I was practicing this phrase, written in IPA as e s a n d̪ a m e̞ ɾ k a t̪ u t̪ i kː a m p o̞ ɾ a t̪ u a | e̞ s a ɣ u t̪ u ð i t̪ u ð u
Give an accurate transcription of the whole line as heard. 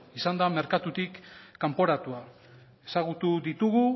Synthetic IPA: i s a n d̪ a m e̞ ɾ k a t̪ u t̪ i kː a m p o̞ ɾ a t̪ u a | e̞ s a ɣ u t̪ u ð i t̪ u ɣ u